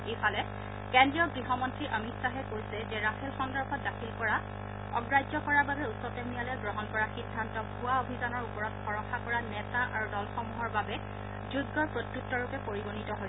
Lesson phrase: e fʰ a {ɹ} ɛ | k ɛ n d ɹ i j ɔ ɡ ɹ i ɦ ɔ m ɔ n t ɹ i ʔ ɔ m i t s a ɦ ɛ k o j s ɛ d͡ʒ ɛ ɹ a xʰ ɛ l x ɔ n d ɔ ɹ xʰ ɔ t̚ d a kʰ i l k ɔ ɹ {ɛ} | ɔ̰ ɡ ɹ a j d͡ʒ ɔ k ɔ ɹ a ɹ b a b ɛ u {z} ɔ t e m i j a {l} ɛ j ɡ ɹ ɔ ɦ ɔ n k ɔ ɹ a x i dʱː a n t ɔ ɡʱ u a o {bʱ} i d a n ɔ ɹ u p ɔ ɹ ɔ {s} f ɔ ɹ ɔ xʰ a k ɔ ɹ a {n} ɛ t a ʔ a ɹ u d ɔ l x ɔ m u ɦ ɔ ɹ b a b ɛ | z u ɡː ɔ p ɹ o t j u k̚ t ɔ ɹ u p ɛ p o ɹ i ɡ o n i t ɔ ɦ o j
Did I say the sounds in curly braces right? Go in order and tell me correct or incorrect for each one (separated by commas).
incorrect, incorrect, incorrect, correct, correct, incorrect, correct